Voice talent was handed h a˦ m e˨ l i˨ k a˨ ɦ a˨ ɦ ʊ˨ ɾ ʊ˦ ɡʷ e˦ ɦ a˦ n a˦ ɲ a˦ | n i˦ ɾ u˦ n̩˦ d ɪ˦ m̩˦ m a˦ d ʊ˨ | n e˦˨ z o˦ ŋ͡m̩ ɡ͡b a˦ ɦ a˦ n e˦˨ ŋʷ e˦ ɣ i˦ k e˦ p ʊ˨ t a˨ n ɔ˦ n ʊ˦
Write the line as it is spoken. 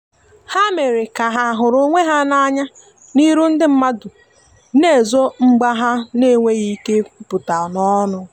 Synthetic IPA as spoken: h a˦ m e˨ ɾ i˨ k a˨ ɦ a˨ ɦ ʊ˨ ɾ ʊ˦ ŋʷ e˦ ɦ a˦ n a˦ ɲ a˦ | n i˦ ɾ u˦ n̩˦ d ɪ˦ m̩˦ m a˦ d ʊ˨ | n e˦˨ z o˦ ŋ͡m̩ ɡ͡b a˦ ɦ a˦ n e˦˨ ŋʷ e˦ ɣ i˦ k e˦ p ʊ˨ t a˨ n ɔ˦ n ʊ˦